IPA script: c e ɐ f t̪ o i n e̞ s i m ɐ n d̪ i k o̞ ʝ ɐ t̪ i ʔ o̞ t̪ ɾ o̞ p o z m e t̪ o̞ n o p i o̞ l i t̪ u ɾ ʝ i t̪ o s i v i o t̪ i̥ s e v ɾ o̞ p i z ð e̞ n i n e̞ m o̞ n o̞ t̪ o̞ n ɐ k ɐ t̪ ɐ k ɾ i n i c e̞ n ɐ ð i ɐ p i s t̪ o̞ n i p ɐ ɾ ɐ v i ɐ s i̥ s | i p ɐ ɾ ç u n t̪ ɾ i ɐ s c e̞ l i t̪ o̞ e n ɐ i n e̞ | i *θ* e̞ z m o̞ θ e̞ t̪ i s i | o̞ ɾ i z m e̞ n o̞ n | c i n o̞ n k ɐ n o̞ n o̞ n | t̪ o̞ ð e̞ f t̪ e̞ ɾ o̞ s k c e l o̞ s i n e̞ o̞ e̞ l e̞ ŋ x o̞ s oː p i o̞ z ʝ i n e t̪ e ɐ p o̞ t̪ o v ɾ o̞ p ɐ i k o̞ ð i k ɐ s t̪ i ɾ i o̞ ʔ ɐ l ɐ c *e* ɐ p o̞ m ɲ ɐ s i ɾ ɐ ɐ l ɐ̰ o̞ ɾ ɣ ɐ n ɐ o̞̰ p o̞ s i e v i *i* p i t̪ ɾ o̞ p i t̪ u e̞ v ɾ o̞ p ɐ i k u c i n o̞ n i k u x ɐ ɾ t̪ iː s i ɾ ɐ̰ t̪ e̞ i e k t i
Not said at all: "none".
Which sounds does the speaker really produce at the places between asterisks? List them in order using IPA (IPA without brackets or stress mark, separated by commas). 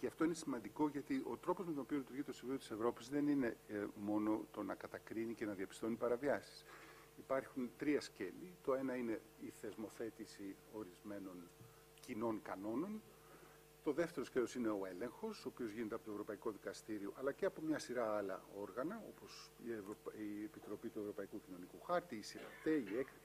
θ, e, e